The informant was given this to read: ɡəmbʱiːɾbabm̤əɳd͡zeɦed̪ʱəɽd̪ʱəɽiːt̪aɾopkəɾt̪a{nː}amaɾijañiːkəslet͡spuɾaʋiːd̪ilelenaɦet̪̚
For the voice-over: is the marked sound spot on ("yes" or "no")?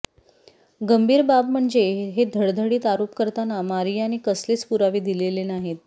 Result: no